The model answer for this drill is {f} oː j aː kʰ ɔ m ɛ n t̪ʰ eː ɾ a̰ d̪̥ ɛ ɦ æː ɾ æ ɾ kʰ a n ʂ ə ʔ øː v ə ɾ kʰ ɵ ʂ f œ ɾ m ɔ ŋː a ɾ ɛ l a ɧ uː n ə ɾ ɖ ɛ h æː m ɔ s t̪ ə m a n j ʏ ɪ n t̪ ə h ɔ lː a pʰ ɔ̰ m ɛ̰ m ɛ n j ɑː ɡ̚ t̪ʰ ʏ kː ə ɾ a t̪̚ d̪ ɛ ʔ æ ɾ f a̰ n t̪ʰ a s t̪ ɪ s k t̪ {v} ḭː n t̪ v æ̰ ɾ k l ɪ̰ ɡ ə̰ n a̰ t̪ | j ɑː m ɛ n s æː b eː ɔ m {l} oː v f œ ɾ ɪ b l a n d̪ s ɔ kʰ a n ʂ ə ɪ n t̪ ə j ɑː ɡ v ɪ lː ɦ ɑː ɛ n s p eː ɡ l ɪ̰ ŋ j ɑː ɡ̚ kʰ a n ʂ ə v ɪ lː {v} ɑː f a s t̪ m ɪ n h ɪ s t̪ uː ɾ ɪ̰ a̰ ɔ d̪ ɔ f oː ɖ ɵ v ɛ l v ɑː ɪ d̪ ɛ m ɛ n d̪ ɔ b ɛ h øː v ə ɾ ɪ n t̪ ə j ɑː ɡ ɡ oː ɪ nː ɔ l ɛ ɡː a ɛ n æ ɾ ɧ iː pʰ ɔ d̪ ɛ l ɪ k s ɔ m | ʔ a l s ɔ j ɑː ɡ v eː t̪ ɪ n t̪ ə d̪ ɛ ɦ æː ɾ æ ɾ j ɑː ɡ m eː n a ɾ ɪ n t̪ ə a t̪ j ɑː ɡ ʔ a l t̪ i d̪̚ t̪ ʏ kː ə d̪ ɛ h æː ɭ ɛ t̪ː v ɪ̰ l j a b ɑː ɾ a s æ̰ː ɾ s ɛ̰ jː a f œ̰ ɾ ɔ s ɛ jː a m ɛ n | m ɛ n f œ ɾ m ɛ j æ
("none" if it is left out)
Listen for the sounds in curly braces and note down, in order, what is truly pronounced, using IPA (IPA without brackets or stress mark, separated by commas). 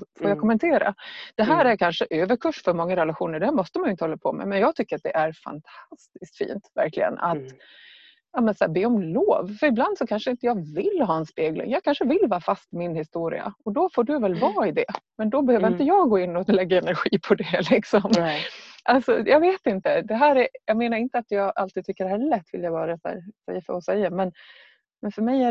f, f, l, v